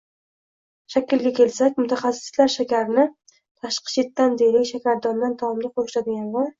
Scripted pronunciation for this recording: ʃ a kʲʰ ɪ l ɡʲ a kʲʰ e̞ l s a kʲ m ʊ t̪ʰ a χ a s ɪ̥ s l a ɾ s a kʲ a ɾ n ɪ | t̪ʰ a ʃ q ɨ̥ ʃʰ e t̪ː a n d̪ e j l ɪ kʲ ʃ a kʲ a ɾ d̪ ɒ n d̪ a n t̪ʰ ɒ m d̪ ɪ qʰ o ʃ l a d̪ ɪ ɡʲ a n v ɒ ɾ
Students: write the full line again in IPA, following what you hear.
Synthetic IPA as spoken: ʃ a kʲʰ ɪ l ɡʲ a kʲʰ e̞ l s a kʲ m ʊ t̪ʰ a χ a s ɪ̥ s l a ɾ ʃ a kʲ a ɾ n ɪ | t̪ʰ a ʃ q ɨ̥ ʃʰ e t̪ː a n d̪ e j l ɪ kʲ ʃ a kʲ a ɾ d̪ ɒ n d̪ a n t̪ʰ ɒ m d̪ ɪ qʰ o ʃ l a d̪ ɪ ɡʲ a n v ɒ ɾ